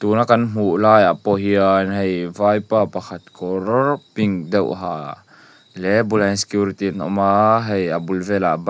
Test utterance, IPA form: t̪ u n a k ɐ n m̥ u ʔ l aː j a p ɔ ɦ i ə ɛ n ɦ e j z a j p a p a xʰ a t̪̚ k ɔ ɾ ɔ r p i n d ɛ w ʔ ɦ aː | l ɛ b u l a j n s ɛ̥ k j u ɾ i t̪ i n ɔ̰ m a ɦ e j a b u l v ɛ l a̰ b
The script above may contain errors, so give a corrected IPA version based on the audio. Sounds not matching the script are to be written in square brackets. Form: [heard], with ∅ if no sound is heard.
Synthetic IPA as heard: t̪ u n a k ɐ n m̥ u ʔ l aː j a p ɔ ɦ i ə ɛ n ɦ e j [v] a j p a p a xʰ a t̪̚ k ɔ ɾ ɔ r p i [ŋ] d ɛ w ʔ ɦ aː | l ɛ b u l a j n s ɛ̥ k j u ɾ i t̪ i n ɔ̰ m a ɦ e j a b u l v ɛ l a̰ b